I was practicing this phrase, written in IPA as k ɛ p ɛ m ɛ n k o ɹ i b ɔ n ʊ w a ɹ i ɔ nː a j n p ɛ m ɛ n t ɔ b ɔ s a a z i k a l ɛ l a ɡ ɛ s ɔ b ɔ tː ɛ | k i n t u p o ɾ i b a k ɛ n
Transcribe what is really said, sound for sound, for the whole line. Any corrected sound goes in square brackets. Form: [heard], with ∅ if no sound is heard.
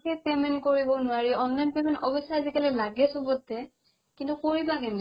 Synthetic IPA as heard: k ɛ p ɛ m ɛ n k o ɹ i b ɔ n ʊ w a ɹ i ɔ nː a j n p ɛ m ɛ n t ɔ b ɔ s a a z i k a l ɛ l a ɡ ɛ s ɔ b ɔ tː ɛ | k i n t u [k] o [ɹ] i b a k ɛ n